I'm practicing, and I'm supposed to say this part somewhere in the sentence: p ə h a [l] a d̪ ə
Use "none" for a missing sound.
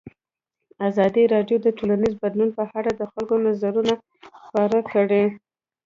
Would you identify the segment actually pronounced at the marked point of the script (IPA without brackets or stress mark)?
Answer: ɽ